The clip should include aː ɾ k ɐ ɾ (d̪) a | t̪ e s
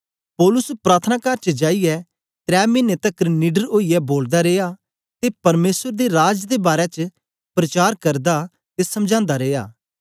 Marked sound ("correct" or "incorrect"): correct